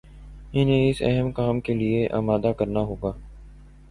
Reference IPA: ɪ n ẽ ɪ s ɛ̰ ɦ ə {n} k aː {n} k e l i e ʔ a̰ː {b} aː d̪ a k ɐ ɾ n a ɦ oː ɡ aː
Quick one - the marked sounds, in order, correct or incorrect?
incorrect: m, incorrect: m, incorrect: m

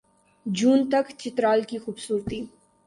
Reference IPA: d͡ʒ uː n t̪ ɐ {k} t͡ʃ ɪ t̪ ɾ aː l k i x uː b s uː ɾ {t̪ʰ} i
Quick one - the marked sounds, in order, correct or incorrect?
correct, incorrect: t̪

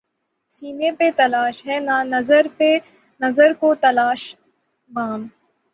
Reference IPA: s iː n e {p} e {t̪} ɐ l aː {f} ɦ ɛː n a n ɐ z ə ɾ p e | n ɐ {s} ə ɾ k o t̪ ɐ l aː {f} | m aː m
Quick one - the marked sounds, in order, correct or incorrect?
correct, correct, incorrect: ʃ, incorrect: z, incorrect: ʃ

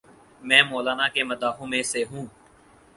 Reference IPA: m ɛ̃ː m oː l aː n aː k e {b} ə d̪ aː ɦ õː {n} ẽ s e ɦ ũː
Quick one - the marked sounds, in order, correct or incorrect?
incorrect: m, incorrect: m

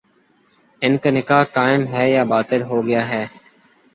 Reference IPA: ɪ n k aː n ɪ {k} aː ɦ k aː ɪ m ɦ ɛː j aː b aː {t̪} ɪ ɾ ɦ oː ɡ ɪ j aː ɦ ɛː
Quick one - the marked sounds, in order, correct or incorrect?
correct, correct

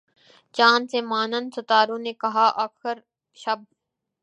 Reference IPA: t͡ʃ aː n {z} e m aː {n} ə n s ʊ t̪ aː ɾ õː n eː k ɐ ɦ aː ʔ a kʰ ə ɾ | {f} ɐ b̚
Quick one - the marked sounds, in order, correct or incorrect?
incorrect: s, correct, incorrect: ʃ

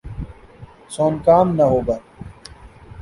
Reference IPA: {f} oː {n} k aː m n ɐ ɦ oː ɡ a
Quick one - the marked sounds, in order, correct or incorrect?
incorrect: s, correct

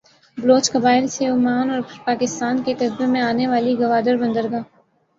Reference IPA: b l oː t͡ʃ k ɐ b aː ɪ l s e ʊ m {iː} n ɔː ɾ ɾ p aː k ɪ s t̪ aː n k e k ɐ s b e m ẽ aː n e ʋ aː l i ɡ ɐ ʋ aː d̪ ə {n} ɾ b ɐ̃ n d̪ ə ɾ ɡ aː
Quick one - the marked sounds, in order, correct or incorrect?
incorrect: aː, incorrect: none

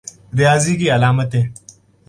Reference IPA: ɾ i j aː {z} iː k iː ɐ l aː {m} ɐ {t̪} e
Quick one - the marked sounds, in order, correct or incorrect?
correct, correct, correct

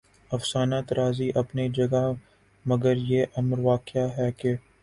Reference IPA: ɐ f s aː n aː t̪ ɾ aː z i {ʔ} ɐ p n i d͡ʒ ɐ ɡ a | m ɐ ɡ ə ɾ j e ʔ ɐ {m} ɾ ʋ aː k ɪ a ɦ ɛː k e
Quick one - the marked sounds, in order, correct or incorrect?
correct, correct

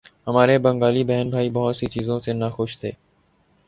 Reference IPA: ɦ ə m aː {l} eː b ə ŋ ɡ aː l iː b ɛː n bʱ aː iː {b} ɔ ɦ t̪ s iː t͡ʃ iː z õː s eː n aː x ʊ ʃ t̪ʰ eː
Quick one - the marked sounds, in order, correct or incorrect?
incorrect: ɾ, correct

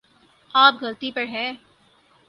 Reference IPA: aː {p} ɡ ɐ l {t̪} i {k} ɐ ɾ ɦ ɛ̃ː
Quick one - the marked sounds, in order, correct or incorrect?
correct, correct, incorrect: p

